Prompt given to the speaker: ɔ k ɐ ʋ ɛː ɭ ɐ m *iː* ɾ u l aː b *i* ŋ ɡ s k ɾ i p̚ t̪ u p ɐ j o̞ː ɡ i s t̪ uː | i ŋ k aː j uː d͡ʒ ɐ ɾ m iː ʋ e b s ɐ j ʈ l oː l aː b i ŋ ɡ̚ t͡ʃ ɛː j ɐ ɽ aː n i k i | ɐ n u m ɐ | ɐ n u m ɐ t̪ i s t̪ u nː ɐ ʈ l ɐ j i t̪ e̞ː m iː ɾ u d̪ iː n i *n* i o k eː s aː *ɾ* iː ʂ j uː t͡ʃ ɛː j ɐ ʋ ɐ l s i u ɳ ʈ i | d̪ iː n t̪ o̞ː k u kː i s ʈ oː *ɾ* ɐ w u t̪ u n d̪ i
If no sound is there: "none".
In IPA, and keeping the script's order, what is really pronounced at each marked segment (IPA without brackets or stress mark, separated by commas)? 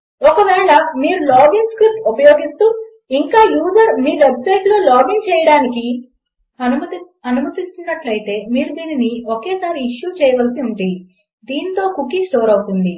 iː, i, n, ɾ, ɾ